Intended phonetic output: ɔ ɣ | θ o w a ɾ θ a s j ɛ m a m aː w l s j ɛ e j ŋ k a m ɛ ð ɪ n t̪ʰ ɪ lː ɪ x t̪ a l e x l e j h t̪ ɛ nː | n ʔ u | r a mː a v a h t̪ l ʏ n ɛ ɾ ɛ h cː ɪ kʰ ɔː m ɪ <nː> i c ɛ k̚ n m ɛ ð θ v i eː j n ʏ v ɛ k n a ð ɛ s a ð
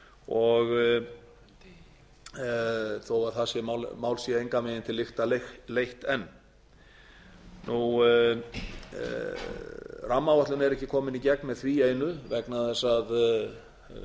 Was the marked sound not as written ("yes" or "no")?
yes